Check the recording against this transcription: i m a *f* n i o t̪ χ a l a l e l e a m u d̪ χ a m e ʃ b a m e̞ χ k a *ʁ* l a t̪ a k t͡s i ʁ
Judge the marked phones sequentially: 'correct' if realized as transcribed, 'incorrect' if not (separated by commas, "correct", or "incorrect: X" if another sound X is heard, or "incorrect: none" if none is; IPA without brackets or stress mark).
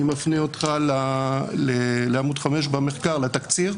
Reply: correct, correct